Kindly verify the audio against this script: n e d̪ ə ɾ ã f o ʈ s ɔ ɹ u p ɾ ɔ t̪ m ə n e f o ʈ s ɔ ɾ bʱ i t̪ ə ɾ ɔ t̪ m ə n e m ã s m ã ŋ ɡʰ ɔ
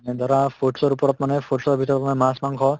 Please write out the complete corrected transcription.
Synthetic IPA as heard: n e d̪ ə ɾ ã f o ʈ s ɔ ɾ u p ɾ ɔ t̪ m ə n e f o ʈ s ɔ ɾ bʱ i t̪ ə ɾ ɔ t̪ m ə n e m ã s m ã ŋ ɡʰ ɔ